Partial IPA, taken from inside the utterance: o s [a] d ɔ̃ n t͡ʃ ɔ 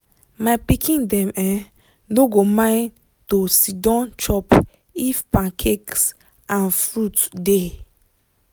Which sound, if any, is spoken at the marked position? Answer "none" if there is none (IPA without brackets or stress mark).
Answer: i